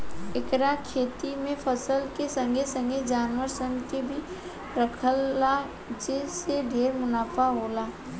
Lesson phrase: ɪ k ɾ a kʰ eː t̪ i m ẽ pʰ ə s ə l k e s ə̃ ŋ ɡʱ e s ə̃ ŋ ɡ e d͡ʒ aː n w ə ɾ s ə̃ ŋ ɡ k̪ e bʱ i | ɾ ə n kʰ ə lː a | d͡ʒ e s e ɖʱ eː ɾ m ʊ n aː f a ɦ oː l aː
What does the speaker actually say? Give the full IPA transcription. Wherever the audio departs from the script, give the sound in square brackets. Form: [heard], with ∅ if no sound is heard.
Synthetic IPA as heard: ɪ k ɾ a kʰ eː t̪ i m ẽ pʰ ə s ə l k e s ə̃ ŋ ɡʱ e s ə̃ ŋ ɡ e d͡ʒ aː n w ə ɾ s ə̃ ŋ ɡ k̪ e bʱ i | ɾ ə [∅] kʰ ə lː a | d͡ʒ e s e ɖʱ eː ɾ m ʊ n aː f a ɦ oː l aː